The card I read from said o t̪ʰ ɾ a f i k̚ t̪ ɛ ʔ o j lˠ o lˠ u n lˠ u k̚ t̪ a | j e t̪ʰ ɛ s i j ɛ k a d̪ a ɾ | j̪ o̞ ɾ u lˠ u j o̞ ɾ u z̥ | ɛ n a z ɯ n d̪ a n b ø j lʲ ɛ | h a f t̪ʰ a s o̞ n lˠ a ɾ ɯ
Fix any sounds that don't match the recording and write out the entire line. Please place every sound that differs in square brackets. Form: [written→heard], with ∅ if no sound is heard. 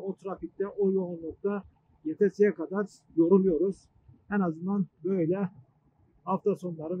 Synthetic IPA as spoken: o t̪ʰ ɾ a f i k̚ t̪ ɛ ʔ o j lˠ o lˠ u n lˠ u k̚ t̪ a | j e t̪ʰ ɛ s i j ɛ k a d̪ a ɾ | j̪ o̞ ɾ u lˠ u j o̞ ɾ u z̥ | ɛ n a z ɯ n d̪ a n b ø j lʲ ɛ | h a f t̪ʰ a s o̞ n lˠ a ɾ ɯ